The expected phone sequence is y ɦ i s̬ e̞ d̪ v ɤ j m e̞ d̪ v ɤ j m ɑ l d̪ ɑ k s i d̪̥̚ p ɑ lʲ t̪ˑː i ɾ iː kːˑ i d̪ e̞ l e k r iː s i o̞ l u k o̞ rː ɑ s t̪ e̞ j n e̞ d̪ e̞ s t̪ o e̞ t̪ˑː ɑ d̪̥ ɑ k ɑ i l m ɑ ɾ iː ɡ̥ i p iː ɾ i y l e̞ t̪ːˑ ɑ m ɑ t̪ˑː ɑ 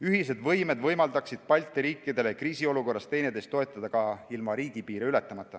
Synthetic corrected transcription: y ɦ i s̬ e̞ d̪ v ɤ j m e̞ d̪ v ɤ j m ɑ l d̪ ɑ k s i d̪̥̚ p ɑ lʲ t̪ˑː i ɾ iː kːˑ i d̪ e̞ l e k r iː s i o̞ l u k o̞ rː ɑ s t̪ e̞ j n e̞ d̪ e̞ s t̪ o e̞ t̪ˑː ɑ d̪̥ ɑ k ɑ i l m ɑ ɾ iː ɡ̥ i p iː ɾ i y l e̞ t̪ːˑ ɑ m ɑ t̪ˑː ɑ